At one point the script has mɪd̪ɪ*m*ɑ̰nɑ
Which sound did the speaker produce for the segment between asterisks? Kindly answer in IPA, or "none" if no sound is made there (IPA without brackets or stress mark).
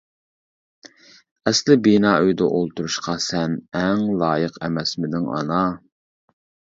ŋ